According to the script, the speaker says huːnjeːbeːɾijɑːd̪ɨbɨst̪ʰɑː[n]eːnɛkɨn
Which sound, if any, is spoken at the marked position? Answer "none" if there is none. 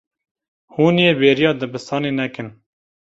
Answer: n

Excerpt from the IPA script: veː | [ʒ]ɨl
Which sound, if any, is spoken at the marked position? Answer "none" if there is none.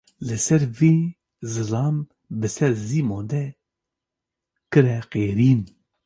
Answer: z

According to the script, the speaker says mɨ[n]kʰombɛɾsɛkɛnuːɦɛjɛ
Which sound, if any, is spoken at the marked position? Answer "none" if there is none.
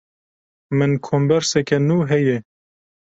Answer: n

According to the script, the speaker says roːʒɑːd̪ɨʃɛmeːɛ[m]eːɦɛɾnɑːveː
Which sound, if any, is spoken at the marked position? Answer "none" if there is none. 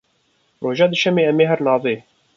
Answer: m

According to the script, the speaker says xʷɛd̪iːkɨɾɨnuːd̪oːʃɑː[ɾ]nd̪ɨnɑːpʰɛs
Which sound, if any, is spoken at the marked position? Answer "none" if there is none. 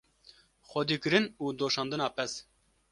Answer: none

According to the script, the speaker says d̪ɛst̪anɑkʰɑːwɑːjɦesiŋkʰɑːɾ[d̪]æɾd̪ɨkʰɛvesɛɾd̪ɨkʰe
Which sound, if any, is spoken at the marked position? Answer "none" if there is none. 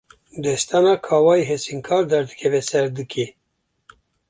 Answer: d̪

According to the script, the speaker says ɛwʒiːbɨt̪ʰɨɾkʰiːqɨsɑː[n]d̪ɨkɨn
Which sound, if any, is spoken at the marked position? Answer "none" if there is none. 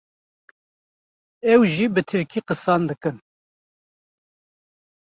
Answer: n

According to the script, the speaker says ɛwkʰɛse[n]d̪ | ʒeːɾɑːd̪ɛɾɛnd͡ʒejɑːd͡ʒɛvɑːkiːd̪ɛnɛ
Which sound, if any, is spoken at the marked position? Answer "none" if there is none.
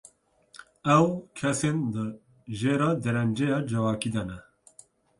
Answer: n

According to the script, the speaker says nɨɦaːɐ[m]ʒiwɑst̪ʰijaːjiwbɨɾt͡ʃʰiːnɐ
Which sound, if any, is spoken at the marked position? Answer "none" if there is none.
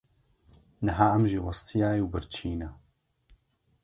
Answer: m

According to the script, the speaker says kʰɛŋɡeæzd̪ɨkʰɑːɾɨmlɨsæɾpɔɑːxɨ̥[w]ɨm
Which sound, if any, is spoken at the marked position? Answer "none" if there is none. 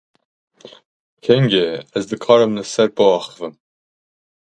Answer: v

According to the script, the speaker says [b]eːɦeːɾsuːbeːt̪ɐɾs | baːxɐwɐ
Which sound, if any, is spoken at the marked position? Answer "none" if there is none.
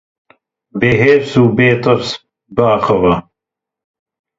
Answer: b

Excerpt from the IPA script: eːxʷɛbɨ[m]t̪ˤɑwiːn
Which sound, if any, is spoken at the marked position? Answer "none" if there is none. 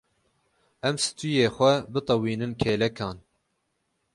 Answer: none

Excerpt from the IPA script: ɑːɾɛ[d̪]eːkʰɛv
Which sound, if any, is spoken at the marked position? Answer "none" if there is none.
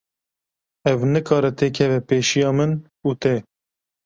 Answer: t̪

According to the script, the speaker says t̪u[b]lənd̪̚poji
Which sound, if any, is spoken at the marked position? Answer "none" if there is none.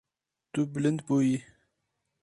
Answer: b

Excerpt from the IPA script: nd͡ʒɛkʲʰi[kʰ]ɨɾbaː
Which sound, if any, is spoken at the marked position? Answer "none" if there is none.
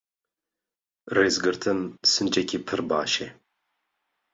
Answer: pʰ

